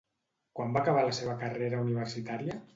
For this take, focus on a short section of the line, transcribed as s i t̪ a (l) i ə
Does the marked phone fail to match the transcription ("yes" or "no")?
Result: yes